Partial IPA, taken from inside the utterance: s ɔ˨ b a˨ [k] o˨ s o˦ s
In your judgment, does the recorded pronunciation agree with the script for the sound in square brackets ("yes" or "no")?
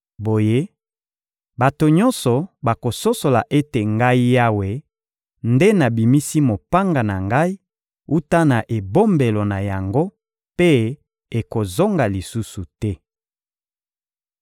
yes